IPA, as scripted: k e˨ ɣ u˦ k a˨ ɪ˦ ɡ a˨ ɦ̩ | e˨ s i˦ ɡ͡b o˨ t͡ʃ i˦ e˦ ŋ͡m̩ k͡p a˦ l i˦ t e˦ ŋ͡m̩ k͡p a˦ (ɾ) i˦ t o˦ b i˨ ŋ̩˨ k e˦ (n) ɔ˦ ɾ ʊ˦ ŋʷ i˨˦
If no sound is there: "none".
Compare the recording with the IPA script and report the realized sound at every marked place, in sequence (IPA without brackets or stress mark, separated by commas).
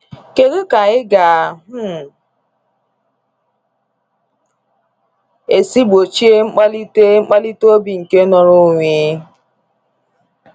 l, n